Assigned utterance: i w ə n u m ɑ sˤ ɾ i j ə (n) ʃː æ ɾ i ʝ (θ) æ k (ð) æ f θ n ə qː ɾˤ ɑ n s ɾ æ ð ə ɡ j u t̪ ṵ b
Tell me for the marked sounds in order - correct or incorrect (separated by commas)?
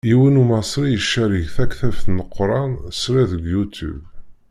incorrect, correct, incorrect